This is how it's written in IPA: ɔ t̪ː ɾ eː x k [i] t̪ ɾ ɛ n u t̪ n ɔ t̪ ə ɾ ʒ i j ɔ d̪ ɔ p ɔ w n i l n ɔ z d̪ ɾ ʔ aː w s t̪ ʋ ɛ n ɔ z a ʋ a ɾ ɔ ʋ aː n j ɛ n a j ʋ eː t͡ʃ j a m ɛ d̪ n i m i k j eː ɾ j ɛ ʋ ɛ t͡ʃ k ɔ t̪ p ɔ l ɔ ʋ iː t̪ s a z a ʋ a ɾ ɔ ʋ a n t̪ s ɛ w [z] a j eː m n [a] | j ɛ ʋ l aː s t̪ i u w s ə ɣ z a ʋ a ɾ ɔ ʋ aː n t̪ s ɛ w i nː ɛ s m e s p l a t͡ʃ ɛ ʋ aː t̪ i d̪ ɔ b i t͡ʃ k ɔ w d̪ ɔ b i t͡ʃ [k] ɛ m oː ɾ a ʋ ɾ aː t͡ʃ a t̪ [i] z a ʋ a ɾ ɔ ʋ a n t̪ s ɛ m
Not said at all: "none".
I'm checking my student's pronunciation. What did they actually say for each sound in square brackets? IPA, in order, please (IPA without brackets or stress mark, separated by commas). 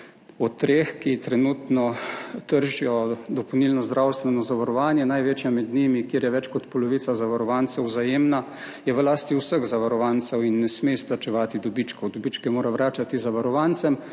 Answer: i, z, a, k, i